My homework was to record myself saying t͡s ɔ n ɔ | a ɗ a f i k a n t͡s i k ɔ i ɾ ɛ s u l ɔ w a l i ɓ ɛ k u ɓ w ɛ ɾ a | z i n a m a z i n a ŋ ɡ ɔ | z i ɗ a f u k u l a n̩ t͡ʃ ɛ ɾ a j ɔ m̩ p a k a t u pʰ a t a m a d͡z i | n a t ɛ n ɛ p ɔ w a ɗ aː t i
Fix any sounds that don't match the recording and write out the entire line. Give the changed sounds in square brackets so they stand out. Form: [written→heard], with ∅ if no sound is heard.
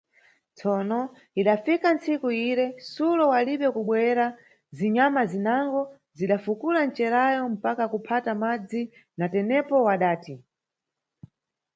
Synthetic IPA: t͡s ɔ n ɔ | [a→i] ɗ a f i k a n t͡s i k [ɔ→u] i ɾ ɛ s u l ɔ w a l i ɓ ɛ k u ɓ w ɛ ɾ a | z i [n→ɲ] a m a z i n a ŋ ɡ ɔ | z i ɗ a f u k u l a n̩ t͡ʃ ɛ ɾ a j ɔ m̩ p a k a [t→k] u pʰ a t a m a d͡z i | n a t ɛ n ɛ p ɔ w a ɗ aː t i